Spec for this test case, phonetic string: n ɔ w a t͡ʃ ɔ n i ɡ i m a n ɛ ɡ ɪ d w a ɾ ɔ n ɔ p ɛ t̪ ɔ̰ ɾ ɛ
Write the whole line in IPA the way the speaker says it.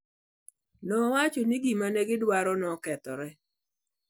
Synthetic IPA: n ɔ w a t͡ʃ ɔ n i ɡ i m a n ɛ ɡ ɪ d w a ɾ ɔ n ɔ k ɛ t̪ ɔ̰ ɾ ɛ